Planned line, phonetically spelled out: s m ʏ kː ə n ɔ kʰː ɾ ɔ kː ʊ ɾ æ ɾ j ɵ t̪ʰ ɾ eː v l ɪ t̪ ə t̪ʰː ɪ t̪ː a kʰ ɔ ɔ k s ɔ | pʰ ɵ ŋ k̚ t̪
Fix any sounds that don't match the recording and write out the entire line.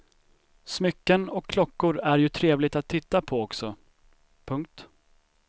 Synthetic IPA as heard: s m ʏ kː ə n ɔ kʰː l ɔ kː ʊ ɾ æ ɾ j ɵ t̪ʰ ɾ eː v l ɪ t̪ a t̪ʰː ɪ t̪ː a pʰ ɔ ɔ k s ɔ | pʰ ɵ ŋ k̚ t̪